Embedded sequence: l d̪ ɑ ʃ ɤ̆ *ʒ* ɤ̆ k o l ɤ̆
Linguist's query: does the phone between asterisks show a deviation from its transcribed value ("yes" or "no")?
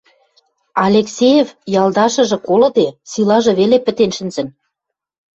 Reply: no